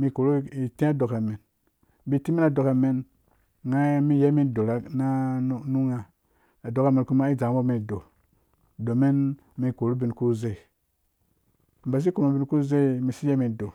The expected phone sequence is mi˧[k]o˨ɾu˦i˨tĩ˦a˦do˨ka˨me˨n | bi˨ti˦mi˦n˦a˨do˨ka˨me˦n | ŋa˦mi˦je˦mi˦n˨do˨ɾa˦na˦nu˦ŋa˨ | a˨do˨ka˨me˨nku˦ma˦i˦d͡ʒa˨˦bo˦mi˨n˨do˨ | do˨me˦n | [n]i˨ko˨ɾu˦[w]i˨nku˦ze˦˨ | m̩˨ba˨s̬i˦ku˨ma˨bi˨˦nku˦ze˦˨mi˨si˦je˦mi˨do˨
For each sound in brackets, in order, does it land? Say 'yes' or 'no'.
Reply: yes, no, no

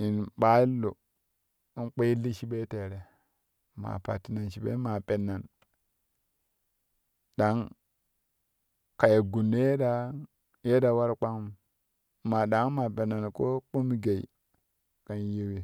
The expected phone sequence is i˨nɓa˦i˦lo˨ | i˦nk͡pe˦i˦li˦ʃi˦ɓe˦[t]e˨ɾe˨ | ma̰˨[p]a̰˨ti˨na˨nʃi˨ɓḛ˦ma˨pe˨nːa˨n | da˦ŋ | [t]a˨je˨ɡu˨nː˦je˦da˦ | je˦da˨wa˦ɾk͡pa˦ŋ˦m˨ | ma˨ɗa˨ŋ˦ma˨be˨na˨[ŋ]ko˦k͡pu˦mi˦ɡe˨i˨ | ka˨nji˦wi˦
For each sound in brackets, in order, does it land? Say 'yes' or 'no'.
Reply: yes, yes, no, no

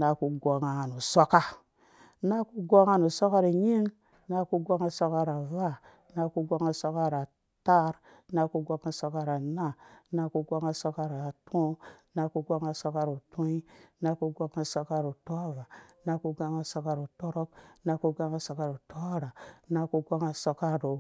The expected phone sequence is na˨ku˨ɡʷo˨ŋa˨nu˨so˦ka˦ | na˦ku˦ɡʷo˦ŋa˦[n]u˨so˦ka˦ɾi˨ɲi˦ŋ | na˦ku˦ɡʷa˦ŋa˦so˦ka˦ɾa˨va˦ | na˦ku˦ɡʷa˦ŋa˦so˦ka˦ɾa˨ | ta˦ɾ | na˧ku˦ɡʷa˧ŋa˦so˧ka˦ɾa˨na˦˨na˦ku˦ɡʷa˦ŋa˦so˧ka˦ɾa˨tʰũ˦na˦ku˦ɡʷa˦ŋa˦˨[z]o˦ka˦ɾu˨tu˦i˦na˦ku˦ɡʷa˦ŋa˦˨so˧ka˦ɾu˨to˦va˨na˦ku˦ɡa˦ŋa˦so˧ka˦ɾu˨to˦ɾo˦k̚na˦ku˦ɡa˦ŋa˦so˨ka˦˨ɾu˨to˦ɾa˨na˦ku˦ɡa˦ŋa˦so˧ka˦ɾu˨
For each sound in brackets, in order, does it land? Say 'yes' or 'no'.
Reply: yes, no

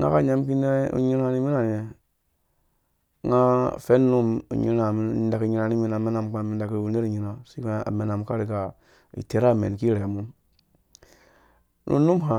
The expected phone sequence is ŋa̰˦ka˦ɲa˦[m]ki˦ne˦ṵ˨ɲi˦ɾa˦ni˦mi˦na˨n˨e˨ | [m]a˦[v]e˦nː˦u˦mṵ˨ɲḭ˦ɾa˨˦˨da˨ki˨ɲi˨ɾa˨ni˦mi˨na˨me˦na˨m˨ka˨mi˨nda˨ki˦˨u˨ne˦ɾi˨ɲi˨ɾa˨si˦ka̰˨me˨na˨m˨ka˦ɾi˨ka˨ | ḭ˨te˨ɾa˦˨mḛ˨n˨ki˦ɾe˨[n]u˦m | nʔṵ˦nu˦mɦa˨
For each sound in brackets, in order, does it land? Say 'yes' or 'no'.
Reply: yes, no, no, no

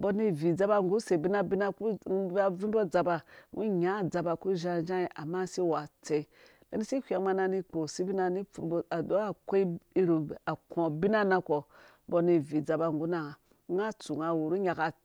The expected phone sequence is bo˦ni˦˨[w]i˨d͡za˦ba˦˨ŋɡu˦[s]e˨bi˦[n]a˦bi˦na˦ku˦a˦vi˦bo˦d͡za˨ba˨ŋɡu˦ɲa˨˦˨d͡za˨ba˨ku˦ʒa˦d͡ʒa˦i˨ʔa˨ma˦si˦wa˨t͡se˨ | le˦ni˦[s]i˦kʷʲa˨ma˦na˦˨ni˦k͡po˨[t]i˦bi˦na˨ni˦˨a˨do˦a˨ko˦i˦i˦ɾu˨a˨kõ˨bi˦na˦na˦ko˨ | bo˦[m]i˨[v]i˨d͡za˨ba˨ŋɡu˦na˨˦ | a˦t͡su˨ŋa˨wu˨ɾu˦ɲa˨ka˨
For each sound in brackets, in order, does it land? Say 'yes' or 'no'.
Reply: no, yes, yes, yes, no, no, yes

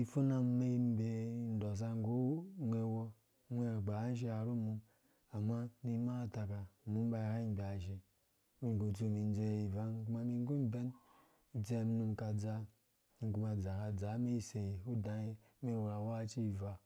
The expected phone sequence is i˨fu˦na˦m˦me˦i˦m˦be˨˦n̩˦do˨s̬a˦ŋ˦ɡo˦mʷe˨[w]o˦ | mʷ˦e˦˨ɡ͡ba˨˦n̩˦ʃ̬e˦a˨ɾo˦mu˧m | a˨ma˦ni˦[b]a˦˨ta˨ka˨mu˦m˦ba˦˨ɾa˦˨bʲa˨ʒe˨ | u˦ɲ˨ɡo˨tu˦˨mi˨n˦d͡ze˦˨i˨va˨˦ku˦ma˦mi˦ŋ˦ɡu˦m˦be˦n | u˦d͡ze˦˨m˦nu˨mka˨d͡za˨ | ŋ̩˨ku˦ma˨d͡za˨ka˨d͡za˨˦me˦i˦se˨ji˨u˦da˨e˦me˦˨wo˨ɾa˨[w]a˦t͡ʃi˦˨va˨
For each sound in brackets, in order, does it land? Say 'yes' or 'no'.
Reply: yes, no, yes

